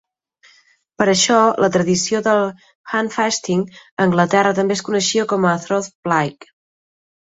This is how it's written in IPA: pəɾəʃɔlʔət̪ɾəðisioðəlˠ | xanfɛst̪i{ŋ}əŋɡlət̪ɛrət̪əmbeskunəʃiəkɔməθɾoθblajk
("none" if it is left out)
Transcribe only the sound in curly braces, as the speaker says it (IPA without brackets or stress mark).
ŋ